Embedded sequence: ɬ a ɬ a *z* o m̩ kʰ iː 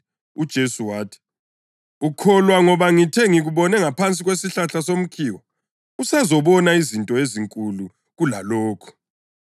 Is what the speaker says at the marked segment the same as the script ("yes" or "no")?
no